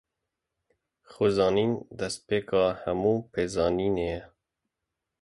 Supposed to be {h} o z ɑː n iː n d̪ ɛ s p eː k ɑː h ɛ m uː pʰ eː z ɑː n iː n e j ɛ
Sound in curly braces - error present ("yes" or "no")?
yes